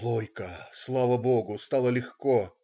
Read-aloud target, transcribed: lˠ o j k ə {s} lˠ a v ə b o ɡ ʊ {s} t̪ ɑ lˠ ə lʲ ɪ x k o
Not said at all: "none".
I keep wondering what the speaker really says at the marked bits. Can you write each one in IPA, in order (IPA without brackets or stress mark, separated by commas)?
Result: s, s